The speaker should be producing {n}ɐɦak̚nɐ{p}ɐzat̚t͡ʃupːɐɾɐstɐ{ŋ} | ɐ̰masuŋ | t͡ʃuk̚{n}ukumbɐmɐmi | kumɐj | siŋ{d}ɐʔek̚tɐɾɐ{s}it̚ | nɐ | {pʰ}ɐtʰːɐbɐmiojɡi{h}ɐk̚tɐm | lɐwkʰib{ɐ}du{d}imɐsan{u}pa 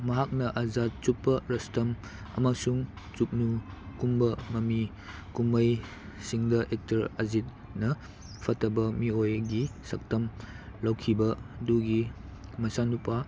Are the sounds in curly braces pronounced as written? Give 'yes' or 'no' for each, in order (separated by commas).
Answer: no, no, no, yes, yes, no, yes, no, yes, no, yes